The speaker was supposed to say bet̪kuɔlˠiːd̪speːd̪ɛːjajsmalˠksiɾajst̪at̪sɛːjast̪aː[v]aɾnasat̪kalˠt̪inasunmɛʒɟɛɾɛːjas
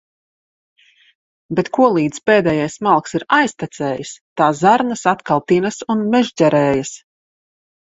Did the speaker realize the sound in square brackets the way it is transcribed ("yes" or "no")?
no